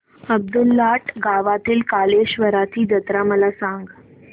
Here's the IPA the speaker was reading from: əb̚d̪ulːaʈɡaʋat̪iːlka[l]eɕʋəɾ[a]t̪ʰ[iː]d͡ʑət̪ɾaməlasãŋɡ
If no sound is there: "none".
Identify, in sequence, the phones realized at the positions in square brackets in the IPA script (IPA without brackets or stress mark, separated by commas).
l, a, iː